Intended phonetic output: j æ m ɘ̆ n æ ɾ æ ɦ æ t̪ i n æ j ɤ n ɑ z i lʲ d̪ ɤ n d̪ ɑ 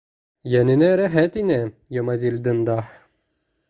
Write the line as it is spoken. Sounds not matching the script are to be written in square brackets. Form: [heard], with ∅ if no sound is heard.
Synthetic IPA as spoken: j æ [n] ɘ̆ n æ ɾ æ ɦ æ t̪ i n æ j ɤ [m] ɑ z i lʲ d̪ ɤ n d̪ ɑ